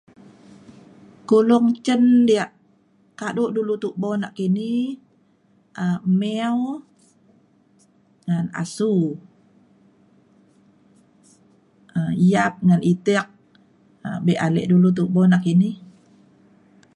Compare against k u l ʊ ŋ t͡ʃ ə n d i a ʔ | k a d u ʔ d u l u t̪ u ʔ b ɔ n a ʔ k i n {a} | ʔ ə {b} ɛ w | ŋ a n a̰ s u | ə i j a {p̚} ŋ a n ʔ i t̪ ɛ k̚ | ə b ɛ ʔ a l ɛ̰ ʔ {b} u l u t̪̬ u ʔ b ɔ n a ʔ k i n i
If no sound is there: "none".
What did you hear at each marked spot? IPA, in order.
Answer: i, m, p̚, d

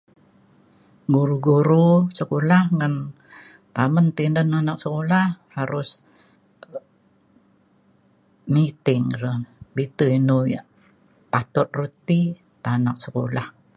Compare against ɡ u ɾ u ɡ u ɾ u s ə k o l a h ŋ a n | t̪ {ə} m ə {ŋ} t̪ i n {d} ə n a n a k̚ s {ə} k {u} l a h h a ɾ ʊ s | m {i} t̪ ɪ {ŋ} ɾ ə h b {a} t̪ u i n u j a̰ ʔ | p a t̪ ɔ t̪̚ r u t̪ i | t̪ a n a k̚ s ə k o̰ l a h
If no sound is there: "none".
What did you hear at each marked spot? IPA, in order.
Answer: a, n, d, ə, o, i, ŋ, i

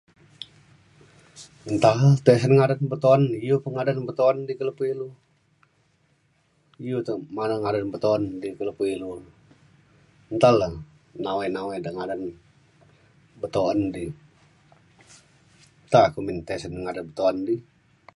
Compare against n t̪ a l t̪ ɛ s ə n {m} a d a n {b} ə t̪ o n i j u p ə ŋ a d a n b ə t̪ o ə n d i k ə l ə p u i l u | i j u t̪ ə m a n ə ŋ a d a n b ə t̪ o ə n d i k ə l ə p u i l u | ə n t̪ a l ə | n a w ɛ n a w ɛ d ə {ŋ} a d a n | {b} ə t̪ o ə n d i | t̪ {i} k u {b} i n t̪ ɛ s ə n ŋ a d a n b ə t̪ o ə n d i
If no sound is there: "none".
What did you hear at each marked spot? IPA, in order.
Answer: ŋ, b, ŋ, b, a, m

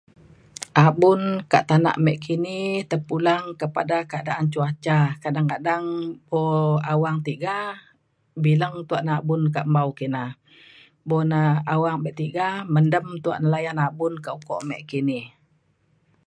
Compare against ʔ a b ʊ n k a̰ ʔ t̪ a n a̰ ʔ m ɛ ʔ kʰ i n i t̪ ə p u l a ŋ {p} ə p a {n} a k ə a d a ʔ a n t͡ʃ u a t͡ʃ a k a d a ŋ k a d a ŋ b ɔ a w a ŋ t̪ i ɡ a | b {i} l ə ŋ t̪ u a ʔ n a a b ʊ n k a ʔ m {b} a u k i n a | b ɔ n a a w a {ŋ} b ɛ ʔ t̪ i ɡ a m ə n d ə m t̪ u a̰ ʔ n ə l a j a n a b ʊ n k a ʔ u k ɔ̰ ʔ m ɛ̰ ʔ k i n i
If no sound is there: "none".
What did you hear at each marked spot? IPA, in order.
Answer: k, d, i, b, ŋ

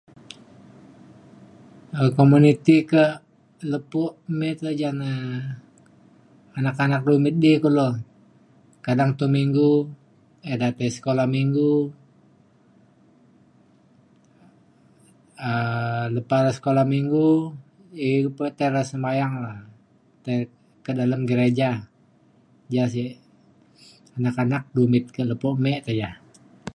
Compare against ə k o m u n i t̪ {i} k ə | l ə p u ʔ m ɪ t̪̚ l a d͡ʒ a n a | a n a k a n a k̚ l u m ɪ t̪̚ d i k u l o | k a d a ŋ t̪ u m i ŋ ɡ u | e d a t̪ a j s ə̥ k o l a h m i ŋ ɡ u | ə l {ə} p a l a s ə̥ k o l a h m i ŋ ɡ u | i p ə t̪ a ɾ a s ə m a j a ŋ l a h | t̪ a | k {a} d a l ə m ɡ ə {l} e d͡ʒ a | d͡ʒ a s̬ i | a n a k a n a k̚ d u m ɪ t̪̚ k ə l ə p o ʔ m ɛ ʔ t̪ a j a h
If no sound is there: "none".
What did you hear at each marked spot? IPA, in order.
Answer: i, ə, ə, ɾ

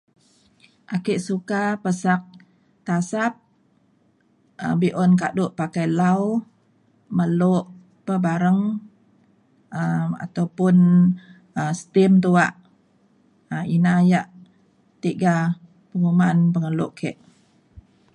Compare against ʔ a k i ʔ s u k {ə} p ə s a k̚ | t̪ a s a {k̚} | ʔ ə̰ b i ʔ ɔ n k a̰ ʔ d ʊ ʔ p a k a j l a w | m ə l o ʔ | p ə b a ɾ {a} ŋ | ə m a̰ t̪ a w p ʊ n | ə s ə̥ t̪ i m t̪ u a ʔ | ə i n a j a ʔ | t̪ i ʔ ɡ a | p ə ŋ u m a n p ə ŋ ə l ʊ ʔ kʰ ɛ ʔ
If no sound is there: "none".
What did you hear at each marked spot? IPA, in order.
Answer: a, p̚, ə

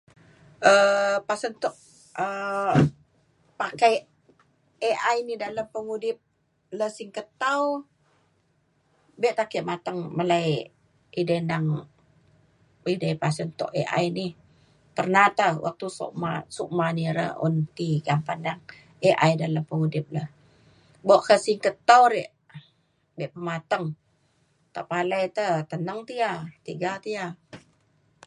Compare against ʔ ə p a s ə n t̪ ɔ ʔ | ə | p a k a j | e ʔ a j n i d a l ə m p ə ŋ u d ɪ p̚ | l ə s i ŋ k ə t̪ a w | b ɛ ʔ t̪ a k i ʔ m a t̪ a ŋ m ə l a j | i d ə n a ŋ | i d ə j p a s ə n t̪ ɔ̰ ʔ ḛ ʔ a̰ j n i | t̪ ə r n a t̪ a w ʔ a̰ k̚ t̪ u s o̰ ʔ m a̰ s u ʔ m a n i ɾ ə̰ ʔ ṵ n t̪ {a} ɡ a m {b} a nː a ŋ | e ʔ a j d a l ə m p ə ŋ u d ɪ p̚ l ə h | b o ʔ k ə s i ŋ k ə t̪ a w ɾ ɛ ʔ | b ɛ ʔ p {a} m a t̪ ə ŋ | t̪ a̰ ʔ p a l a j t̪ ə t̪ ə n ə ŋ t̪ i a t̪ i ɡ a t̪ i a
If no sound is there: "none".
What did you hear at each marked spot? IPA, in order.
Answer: i, p, ə

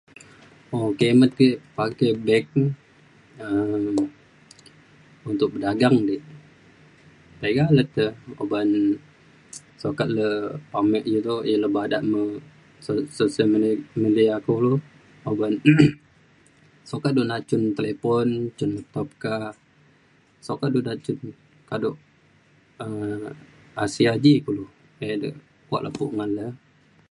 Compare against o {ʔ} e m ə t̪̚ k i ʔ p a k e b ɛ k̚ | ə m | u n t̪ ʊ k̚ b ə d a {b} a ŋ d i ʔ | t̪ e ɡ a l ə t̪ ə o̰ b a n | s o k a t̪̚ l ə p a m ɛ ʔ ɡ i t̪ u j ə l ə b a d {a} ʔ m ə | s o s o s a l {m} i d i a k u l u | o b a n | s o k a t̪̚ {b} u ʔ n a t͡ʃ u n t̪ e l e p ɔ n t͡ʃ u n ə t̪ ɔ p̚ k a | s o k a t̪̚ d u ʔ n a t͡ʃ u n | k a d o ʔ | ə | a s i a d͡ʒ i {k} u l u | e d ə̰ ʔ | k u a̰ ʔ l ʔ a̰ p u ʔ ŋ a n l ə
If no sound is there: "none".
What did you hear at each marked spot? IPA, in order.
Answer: k, ɡ, a, m, d, k

